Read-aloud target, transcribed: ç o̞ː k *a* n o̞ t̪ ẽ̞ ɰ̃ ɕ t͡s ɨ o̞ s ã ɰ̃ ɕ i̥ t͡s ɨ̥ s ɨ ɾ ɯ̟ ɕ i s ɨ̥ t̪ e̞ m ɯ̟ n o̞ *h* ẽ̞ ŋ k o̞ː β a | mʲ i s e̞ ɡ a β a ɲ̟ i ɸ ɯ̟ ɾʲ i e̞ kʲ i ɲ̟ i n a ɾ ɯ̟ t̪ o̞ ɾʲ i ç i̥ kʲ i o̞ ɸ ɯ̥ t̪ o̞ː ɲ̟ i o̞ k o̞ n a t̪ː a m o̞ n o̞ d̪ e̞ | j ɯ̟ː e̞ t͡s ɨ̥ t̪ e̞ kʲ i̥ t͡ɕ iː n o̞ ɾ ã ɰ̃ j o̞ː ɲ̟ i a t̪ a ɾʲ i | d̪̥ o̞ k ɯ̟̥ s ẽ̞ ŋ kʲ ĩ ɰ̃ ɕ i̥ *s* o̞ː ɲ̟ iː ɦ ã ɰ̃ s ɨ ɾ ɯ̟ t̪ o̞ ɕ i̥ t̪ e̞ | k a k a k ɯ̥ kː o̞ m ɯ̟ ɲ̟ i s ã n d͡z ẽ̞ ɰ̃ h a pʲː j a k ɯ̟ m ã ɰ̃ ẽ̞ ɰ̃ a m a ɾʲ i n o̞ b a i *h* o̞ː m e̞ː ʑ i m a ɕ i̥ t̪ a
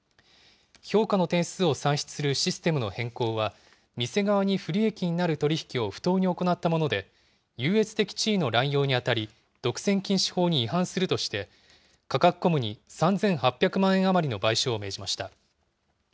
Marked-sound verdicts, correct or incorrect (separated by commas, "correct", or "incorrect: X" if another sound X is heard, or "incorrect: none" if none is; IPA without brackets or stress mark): correct, correct, incorrect: h, incorrect: ɕ